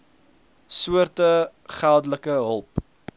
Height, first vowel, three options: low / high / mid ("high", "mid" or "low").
high